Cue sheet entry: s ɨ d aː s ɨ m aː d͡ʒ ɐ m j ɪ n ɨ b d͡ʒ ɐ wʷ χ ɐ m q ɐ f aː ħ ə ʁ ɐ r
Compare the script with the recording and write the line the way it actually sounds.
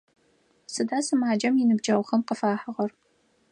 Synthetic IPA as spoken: s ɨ d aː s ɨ m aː d͡ʒ ɐ m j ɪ n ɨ b d͡ʒ ɐ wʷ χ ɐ m q ə f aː ħ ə ʁ ɐ r